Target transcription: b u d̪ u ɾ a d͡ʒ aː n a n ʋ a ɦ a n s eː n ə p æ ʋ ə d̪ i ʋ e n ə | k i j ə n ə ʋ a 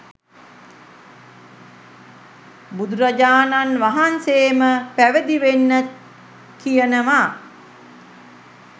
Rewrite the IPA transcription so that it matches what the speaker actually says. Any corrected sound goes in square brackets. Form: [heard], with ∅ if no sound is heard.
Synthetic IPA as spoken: b u d̪ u ɾ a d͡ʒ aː n a n ʋ a ɦ a n s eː [m] ə p æ ʋ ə d̪ i ʋ e [nː] ə | k i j ə n ə ʋ a